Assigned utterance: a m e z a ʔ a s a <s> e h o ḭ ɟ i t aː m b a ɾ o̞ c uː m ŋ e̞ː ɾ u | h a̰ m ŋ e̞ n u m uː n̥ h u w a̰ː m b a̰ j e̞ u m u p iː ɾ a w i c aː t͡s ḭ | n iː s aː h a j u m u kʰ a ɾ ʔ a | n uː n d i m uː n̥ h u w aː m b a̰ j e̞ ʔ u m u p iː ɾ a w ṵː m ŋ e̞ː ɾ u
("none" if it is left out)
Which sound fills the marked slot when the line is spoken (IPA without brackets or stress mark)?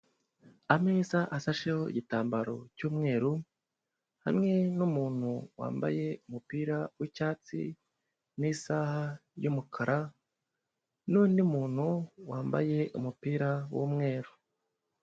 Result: ʃ